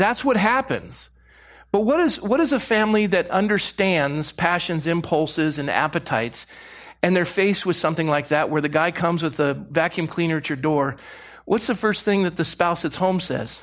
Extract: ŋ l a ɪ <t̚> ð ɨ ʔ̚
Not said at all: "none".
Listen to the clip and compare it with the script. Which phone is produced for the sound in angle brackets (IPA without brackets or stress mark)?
k̚